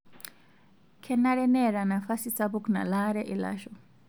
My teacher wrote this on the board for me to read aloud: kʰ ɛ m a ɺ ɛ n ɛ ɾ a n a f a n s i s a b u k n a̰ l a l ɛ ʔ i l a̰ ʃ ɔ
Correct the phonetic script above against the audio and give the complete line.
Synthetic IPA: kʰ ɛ n a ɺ ɛ n ɛ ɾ a n a f a s i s a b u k n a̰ l a ɾ ɛ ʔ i l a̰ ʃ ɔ